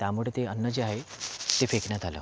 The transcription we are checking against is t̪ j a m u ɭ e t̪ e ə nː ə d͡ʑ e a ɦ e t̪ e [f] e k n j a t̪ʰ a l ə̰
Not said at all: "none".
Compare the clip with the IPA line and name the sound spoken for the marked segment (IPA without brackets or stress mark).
f